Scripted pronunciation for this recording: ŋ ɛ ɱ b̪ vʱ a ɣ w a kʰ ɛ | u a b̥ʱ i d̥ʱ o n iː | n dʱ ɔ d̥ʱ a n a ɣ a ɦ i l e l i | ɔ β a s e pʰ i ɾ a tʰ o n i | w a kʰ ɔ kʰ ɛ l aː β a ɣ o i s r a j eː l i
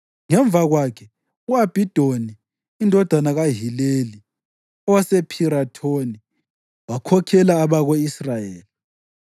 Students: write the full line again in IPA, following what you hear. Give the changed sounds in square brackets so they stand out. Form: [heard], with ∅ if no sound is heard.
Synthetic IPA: ŋ ɛ ɱ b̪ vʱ a ɣ w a kʰ ɛ | u a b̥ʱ i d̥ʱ o n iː | n dʱ ɔ d̥ʱ a n a ɣ a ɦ i l e l i | ɔ [w] a s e pʰ i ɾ a tʰ o n i | w a kʰ ɔ kʰ ɛ l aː β a ɣ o i s r a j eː l i